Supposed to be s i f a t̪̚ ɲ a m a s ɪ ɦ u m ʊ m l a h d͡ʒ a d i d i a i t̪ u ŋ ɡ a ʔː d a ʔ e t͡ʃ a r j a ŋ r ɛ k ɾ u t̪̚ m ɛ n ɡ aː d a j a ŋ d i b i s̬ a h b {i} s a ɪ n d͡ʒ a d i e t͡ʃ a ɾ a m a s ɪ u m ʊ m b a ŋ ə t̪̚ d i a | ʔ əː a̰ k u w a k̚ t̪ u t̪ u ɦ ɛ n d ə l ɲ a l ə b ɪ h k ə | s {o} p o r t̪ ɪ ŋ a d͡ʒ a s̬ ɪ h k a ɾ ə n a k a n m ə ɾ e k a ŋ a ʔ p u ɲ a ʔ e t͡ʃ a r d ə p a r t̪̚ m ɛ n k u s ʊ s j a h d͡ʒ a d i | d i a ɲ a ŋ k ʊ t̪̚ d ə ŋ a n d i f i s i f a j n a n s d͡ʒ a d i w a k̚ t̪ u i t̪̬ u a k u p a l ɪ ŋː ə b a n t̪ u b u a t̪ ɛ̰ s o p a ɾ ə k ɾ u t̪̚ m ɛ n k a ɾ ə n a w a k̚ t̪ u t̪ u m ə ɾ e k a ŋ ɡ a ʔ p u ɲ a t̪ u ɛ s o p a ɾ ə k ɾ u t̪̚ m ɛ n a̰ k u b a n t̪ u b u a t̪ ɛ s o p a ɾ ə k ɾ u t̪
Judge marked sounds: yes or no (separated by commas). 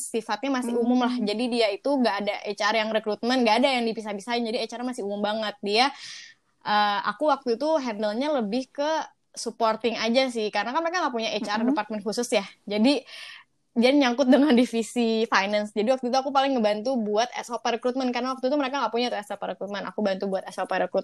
yes, no